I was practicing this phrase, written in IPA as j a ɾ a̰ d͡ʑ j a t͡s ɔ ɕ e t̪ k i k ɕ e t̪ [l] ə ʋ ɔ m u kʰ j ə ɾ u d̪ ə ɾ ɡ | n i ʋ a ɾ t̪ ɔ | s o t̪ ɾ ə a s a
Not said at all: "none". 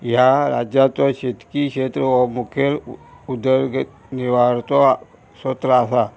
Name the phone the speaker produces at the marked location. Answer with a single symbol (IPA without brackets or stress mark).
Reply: ɾ